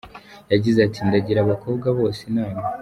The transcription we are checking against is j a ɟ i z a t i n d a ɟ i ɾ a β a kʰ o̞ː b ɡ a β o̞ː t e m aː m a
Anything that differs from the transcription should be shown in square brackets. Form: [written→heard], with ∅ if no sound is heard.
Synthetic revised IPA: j a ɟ i z a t i n d a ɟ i ɾ a β a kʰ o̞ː b ɡ a β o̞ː [t→s] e [m→n] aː m a